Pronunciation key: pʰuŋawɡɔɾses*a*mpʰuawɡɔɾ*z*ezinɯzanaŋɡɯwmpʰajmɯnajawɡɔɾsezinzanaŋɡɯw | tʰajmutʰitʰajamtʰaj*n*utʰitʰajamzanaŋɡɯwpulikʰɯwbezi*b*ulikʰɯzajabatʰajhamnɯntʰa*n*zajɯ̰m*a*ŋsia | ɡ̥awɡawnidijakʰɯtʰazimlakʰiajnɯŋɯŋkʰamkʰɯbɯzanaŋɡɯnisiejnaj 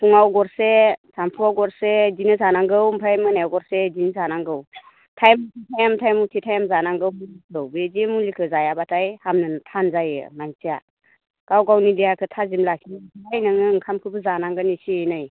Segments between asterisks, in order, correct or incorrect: correct, incorrect, incorrect, incorrect, correct, correct

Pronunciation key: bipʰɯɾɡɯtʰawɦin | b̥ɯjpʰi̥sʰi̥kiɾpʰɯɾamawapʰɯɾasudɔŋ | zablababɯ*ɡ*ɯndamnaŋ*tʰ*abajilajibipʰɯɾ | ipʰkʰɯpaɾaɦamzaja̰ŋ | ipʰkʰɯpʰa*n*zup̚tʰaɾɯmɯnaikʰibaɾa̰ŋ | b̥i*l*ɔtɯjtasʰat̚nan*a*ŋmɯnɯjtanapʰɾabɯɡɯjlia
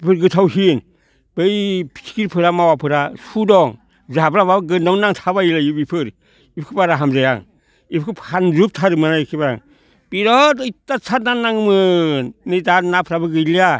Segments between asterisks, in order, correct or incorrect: correct, correct, correct, incorrect, correct

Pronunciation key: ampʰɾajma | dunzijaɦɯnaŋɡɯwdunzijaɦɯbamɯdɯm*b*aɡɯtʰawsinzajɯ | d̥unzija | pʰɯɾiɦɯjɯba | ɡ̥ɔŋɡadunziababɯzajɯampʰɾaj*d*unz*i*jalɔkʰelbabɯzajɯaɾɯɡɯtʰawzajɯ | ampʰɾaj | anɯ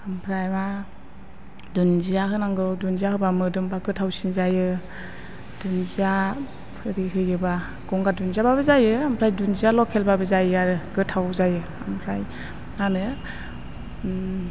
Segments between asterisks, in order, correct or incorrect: correct, correct, correct

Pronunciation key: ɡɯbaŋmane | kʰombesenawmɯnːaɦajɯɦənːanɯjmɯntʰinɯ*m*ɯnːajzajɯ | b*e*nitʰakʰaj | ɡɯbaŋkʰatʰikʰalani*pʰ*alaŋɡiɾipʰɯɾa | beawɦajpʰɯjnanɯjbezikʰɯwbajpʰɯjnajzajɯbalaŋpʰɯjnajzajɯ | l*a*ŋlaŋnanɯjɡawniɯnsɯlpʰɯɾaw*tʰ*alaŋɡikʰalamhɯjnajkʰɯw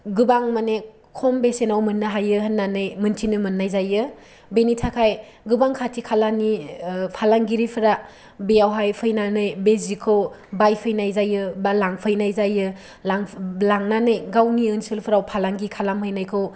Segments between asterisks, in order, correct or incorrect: correct, correct, correct, correct, incorrect

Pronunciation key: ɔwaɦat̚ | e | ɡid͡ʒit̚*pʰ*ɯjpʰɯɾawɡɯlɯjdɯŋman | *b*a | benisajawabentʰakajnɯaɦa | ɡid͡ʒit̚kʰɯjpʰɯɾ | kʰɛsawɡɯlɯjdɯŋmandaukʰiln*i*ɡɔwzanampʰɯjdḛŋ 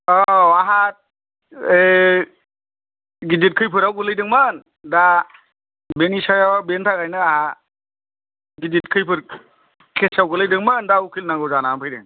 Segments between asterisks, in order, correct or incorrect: incorrect, incorrect, incorrect

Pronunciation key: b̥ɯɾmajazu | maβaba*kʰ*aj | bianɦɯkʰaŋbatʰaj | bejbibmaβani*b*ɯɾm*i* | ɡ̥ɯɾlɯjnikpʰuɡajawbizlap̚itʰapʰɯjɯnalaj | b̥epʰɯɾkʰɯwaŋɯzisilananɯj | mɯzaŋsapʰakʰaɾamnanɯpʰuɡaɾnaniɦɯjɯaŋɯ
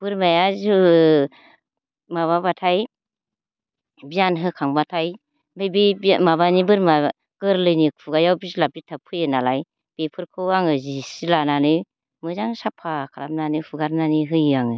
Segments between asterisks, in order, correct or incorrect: incorrect, correct, incorrect

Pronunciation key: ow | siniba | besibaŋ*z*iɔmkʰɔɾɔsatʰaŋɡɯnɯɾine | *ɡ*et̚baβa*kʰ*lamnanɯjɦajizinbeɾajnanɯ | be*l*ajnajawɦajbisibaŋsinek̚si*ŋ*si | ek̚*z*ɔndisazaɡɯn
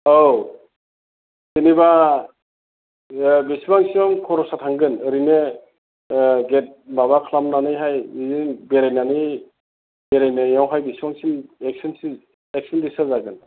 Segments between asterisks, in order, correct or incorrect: incorrect, correct, correct, incorrect, incorrect, incorrect

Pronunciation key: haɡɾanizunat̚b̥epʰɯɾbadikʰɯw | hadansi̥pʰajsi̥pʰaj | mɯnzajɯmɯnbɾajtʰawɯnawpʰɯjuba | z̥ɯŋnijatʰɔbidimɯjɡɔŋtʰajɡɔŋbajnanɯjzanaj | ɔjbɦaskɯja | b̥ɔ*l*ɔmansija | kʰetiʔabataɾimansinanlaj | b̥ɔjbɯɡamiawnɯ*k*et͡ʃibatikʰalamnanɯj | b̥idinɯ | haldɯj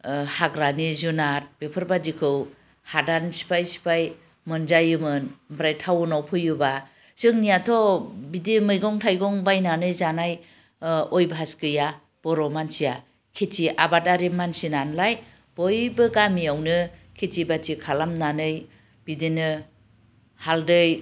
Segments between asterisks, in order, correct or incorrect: incorrect, incorrect

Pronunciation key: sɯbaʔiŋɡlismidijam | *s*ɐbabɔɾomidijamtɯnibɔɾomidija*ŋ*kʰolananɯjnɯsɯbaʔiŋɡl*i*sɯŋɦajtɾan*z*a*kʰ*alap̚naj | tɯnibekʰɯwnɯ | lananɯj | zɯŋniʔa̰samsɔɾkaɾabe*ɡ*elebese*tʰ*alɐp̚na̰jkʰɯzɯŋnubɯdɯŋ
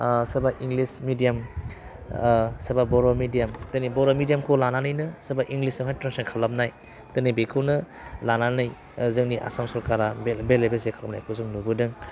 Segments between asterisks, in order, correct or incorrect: correct, incorrect, correct, incorrect, correct, incorrect, incorrect

